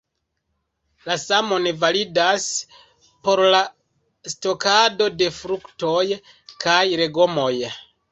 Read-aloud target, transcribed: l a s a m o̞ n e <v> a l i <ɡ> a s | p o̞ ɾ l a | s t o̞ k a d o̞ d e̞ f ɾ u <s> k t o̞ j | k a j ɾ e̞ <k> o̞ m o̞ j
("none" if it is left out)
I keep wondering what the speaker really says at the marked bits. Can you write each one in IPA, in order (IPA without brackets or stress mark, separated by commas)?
v, d, none, ɡ